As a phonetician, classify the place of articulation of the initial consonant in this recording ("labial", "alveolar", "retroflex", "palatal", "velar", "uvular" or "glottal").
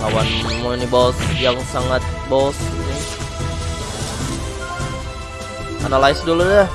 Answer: velar